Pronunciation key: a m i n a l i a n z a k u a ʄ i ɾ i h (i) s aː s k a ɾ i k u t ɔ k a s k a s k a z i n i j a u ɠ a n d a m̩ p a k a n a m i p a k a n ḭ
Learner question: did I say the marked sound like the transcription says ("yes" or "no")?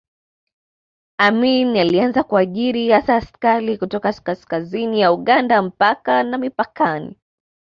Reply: no